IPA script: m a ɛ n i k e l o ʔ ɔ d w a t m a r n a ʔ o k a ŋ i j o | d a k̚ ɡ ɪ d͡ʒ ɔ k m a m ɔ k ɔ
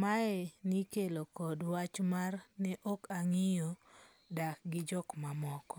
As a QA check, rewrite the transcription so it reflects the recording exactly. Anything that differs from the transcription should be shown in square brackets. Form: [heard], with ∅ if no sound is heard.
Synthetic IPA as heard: m a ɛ n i k e l o [k] ɔ d w a [t͡ʃ] m a r n [ɛ] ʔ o k a ŋ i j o | d a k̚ ɡ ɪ d͡ʒ ɔ k m a m ɔ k ɔ

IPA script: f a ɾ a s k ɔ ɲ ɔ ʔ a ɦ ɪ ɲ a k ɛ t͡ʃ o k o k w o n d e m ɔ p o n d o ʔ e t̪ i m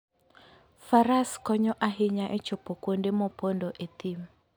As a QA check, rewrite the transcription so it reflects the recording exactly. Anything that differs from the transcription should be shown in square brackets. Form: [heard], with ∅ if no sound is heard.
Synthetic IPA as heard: f a ɾ a s k ɔ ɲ ɔ ʔ a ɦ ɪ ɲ a [ʔ] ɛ t͡ʃ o [p] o k w o n d e m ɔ p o n d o ʔ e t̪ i m

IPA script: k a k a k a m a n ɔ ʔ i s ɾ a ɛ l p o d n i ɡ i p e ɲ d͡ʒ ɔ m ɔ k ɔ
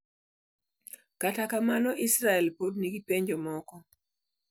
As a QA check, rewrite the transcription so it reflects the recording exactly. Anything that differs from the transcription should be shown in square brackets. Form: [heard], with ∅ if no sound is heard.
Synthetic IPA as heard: k a [t] a k a m a n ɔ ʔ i s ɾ a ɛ l p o d n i ɡ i p e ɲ d͡ʒ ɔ m ɔ k ɔ

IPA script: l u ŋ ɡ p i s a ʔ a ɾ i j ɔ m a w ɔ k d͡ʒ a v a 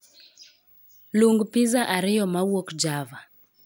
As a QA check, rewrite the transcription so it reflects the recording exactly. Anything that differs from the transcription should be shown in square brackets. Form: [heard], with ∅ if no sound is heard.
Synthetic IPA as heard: l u ŋ ɡ p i [z] a ʔ a ɾ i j ɔ m a w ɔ k d͡ʒ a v a

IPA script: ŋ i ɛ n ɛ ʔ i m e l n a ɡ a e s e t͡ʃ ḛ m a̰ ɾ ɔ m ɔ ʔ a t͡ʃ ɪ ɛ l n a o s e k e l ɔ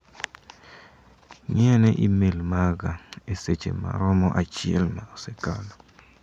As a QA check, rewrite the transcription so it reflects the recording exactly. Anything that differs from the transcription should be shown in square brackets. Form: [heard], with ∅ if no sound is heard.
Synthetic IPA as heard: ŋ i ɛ n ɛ ʔ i m e l [m] a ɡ a e s e t͡ʃ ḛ m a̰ ɾ ɔ m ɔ ʔ a t͡ʃ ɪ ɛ l [m] a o s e k [a] l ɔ

